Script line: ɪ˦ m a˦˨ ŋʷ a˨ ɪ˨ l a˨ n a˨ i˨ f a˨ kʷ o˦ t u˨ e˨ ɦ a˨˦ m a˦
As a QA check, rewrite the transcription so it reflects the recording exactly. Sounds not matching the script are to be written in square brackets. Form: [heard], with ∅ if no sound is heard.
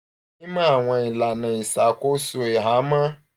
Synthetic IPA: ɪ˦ m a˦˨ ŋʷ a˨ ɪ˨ l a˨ n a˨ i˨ [s] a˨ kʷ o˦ [s] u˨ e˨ ɦ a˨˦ m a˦